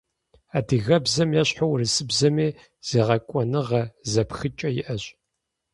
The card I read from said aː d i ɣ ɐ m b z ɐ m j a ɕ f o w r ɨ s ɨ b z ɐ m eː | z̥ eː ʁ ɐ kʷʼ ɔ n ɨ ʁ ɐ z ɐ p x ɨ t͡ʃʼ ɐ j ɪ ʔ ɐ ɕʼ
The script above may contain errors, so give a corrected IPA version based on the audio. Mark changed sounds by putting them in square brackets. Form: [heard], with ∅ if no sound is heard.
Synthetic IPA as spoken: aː d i ɣ ɐ [∅] b z ɐ m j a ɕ [ħ] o w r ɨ s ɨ b z ɐ m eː | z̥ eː ʁ ɐ kʷʼ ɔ n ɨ ʁ ɐ z ɐ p x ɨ t͡ʃʼ ɐ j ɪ ʔ ɐ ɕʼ